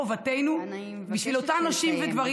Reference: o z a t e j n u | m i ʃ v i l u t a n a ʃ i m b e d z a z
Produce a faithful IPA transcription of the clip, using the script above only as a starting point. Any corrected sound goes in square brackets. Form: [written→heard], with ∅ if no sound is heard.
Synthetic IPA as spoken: o [z→v] a t e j n u | [m→b] i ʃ v i l [u→o] t a n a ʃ i m [b→v] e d [z→v] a [z→ʁ]